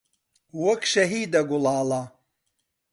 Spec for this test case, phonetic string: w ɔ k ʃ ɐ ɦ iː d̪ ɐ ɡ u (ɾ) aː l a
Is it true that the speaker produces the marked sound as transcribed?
no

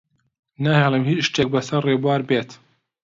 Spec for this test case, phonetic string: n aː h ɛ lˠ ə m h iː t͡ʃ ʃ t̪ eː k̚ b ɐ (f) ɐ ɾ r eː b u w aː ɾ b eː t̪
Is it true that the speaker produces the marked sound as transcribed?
no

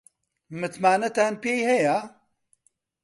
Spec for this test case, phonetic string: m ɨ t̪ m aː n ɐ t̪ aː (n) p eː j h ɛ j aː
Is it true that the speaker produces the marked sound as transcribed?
yes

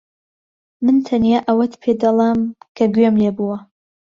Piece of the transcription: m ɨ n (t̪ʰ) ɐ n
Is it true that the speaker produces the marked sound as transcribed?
yes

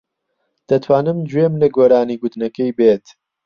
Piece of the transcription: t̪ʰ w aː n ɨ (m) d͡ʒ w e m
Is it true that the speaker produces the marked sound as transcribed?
yes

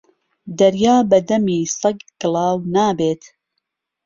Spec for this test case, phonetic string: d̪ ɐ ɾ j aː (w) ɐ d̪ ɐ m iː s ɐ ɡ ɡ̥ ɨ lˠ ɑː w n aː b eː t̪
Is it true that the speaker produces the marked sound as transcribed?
no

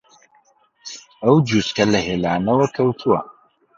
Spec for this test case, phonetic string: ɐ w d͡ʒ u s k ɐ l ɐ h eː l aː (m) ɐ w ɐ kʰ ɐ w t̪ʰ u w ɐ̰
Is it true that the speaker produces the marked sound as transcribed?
no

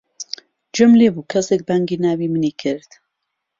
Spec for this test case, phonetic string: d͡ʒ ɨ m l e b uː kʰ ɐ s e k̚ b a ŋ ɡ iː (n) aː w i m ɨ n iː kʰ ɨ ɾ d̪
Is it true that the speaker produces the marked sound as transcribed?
yes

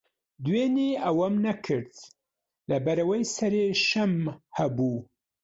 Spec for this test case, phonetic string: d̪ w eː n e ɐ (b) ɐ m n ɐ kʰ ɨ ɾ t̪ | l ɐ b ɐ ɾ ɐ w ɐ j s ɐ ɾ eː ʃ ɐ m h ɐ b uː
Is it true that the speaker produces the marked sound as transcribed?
no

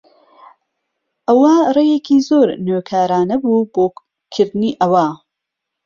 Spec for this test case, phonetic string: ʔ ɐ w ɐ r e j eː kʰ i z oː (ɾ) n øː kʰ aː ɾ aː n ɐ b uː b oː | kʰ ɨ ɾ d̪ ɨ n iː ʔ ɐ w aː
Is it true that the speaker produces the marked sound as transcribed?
yes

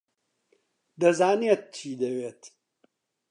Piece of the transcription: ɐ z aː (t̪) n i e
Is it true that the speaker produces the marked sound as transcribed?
no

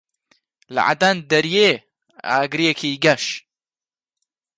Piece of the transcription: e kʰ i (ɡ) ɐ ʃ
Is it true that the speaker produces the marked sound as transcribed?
yes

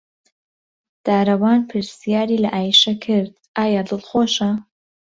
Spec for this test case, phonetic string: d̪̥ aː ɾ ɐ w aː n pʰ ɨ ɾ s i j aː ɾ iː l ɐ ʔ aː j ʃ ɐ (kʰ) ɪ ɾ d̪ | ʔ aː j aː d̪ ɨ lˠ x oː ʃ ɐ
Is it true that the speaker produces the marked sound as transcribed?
yes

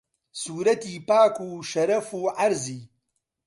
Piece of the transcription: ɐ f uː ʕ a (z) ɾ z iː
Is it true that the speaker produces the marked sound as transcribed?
no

